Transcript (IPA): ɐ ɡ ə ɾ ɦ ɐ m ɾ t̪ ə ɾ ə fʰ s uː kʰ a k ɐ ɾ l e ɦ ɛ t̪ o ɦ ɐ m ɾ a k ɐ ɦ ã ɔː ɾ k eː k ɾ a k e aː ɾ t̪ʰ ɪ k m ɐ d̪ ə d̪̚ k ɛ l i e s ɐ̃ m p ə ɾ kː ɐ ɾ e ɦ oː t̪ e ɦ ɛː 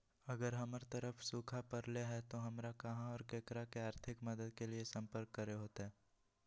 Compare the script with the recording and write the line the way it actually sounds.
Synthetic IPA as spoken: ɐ ɡ ə ɾ ɦ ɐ m ɾ t̪ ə ɾ ə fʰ s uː kʰ a p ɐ ɾ l e ɦ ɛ t̪ o ɦ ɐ m ɾ a k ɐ ɦ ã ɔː ɾ k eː k ɾ a k e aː ɾ t̪ʰ ɪ k m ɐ d̪ ə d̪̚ k e l i e s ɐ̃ m p ə ɾ kː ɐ ɾ e ɦ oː t̪ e ɦ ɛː

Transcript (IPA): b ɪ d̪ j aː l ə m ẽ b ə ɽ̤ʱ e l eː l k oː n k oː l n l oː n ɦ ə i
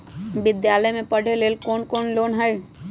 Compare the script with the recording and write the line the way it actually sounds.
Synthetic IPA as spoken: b ɪ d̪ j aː l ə m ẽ p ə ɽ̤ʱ e l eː l k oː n k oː n l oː n ɦ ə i

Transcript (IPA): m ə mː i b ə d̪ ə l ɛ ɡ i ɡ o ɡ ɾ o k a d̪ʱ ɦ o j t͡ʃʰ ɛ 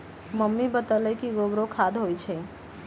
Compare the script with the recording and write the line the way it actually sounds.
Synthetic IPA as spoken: m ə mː i b ə t̪ ə l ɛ k i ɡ o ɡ ɾ o kʰ a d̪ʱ ɦ o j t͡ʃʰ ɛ

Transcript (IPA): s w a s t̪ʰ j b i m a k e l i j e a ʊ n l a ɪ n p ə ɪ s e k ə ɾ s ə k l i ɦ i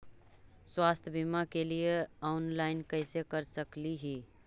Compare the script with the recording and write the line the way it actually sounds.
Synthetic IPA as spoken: s w a s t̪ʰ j b i m a k e l i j e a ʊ n l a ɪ n k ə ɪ s e k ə ɾ s ə k l i ɦ i

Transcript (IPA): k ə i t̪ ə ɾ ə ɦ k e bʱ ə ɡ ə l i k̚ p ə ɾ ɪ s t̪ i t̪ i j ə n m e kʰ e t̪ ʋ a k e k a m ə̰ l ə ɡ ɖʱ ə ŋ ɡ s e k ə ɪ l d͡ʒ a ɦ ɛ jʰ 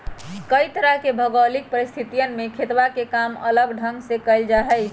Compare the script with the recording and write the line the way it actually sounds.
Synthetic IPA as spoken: k ə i t̪ ə ɾ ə ɦ k e bʱ ə ɡ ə l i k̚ p ə ɾ i s t̪ʰ i t̪ i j ə n m e kʰ e t̪ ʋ a k e k a m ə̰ l ə ɡ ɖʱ ə ŋ ɡ s e k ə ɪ l d͡ʒ a ɦ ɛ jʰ

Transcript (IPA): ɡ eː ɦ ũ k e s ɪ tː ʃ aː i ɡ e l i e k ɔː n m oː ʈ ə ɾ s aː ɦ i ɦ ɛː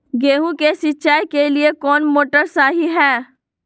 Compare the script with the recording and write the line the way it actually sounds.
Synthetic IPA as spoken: ɡ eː ɦ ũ k e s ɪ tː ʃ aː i k e l i e k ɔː n m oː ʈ ə ɾ s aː ɦ i ɦ ɛː

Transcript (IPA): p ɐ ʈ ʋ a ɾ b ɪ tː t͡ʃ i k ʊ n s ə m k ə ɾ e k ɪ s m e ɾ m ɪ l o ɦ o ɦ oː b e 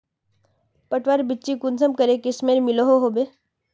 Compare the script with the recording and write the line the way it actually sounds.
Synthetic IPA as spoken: p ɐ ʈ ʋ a ɾ b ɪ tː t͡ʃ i k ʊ n s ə m k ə ɾ e k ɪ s m e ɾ m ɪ l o ɦ o ɦ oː b e

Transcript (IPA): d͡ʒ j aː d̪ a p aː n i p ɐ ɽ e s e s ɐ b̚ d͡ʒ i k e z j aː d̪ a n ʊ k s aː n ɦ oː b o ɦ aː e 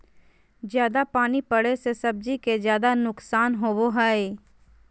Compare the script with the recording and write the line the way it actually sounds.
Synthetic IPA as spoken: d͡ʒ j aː d̪ a p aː n i p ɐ ɽ e s e s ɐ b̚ d͡ʒ i k e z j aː d̪ a n ʊ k s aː n ɦ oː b o ɦ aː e

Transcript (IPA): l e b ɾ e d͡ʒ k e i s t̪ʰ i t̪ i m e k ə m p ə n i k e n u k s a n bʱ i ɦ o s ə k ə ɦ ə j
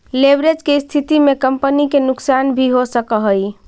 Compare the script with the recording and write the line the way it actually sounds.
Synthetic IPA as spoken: l e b ɾ e d͡ʒ k e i s t̪ʰ i t̪ i m e k ə m p ə n i k e n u k s a n bʱ i ɦ o s ə k ə ɦ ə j

